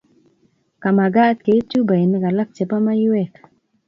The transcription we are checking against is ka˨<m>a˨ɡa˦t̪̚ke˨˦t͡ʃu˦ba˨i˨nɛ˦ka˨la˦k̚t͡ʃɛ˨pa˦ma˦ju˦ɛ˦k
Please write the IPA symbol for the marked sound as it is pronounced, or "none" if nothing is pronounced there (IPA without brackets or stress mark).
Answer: m